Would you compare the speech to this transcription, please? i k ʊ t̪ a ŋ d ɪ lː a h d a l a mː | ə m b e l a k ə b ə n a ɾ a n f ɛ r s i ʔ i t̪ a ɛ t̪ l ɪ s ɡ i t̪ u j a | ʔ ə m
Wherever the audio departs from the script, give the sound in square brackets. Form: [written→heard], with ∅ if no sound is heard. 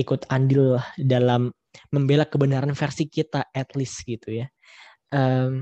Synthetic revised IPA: i k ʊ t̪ a [ŋ→n] d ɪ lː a h d a l a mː | ə m b e l a k ə b ə n a ɾ a n f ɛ r s i [ʔ→k] i t̪ a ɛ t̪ l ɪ s ɡ i t̪ u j a | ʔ ə m